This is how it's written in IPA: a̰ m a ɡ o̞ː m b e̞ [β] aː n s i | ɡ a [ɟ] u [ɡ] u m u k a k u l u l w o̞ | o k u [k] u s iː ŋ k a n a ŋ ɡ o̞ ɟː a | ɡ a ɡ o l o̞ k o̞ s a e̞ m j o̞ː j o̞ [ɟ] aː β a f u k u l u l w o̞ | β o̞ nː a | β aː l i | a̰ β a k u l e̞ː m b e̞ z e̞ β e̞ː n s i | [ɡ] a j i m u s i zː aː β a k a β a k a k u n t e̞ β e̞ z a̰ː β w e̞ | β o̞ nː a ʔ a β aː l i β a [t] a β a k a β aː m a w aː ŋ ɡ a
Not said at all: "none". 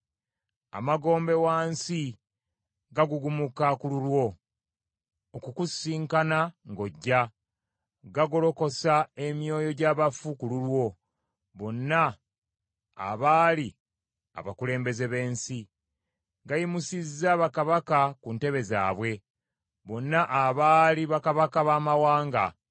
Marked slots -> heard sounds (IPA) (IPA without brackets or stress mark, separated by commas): w, ɡ, ɡ, k, ɟ, ɡ, k